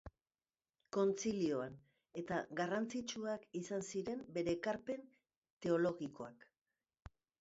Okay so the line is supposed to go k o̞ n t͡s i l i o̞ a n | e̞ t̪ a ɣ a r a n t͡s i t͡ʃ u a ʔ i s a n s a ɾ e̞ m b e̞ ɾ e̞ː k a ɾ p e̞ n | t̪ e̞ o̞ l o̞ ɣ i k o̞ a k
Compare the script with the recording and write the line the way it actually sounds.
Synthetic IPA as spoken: k o̞ n t͡s i l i o̞ a n | e̞ t̪ a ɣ a r a n t͡s i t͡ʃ u a k i s a n s i ɾ e̞ m b e̞ ɾ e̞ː k a ɾ p e̞ n | t̪ e̞ o̞ l o̞ ɣ i k o̞ a k